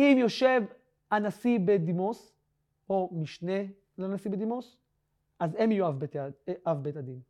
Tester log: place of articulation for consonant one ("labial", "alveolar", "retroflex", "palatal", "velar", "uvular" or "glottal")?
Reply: labial